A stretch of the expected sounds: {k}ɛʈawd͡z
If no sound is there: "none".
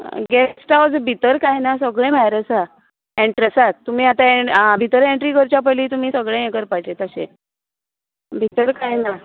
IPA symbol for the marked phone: ɡ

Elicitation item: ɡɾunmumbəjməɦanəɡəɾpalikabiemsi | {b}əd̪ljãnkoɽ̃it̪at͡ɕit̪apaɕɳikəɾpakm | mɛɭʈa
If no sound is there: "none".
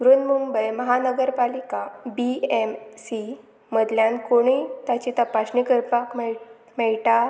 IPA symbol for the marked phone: m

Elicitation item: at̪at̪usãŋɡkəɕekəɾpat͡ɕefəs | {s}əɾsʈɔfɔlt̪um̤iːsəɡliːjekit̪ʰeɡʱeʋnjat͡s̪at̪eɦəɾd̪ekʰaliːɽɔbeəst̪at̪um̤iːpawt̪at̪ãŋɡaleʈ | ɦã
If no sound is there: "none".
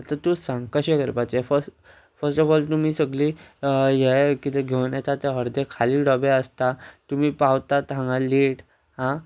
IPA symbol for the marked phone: f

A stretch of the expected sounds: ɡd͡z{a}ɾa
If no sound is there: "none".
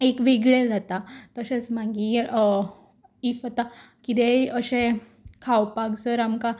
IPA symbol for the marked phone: ə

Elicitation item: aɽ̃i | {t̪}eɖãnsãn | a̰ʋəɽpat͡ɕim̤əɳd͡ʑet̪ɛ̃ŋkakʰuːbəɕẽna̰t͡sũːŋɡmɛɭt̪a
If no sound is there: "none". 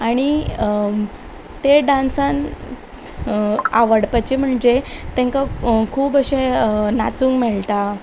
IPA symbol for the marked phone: t̪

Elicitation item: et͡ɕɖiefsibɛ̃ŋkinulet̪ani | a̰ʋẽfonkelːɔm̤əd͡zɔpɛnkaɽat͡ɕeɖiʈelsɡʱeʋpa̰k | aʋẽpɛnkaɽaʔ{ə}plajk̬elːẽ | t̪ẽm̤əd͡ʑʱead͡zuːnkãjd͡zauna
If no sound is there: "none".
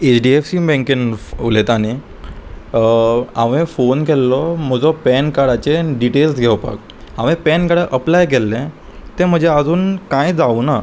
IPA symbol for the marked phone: ə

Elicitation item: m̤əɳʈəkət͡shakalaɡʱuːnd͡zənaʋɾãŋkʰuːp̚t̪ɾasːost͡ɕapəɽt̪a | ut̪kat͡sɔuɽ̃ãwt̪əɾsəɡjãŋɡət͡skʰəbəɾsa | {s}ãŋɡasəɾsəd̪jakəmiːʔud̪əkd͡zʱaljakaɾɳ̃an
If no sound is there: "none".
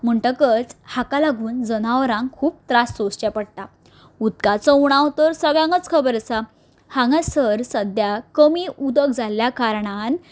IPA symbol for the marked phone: h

